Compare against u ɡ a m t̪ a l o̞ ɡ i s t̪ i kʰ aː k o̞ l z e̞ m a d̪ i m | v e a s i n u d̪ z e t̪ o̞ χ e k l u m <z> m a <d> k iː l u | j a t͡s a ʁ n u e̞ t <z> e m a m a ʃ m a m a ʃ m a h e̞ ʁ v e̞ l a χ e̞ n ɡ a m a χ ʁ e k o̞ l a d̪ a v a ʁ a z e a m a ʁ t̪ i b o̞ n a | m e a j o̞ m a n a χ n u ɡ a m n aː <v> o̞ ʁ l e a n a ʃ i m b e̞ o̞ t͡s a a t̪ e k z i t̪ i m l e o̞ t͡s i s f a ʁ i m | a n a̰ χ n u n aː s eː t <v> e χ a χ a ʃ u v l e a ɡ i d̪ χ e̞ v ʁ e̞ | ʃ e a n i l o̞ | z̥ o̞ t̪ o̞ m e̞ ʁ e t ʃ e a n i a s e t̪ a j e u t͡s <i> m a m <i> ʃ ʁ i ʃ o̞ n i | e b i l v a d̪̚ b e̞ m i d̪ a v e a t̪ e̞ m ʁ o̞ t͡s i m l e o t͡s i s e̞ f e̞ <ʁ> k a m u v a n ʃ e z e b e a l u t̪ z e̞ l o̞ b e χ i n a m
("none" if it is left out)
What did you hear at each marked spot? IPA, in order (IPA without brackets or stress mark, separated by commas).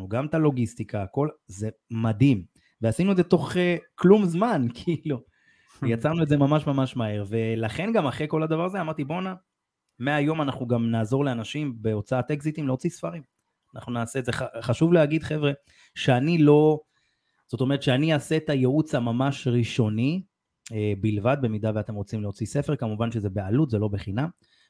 z, n, z, z, z, a, a, ʁ